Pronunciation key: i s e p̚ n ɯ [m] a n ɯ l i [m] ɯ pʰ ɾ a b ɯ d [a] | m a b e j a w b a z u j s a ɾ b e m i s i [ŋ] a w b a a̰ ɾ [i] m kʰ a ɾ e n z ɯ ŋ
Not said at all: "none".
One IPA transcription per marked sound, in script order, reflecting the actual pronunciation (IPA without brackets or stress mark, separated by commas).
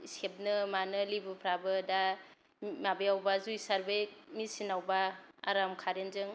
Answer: m, b, a, n, a